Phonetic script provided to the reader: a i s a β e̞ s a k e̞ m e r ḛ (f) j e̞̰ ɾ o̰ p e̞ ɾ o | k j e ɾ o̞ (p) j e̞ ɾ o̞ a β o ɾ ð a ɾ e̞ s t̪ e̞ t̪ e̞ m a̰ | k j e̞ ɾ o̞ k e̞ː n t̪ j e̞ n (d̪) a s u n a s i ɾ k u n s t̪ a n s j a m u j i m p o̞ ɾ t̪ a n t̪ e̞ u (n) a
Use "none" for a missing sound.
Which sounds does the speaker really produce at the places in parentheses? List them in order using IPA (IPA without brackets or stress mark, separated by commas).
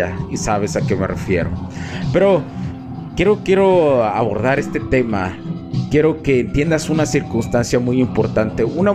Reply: f, k, d̪, n